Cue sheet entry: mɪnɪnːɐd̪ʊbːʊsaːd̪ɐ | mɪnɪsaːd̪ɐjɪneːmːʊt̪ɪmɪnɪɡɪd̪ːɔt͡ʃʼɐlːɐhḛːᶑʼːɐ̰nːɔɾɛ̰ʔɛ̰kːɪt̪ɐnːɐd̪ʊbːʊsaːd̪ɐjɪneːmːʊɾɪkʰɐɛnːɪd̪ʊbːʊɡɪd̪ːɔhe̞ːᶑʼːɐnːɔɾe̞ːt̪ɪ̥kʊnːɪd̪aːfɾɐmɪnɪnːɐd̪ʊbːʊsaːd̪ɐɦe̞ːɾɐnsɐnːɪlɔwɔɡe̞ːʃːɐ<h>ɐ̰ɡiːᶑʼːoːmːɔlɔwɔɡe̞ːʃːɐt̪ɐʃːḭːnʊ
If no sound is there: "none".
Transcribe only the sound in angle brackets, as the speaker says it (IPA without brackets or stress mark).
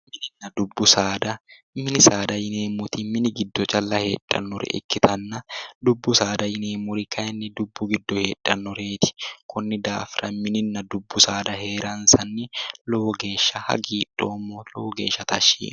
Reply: h